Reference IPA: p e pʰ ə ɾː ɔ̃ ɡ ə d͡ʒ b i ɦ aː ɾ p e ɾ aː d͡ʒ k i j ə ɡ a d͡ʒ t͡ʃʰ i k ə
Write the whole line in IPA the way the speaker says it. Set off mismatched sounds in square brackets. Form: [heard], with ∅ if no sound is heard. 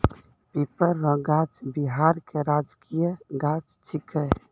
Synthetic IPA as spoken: p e [p] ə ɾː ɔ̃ ɡ [a] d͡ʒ b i ɦ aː ɾ [k] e ɾ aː d͡ʒ k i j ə ɡ a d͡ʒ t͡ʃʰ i k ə